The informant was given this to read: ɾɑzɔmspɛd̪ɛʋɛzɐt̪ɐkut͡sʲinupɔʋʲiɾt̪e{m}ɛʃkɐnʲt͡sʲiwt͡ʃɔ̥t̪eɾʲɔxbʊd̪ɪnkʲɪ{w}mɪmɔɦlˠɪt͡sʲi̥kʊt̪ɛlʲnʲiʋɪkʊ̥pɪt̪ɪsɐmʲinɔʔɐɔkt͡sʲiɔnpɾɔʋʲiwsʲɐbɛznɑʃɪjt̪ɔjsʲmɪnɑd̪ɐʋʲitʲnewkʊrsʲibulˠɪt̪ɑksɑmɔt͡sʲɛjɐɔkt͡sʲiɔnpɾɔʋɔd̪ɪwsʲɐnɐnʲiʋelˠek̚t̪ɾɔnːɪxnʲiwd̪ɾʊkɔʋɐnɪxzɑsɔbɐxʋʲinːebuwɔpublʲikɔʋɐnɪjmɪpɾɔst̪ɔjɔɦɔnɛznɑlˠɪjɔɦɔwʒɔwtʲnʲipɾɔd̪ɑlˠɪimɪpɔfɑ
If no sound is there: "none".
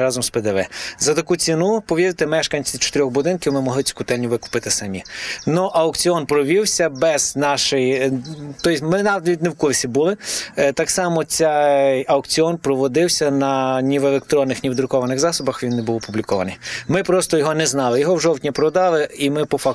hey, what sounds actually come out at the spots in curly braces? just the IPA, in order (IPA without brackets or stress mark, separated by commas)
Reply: m, w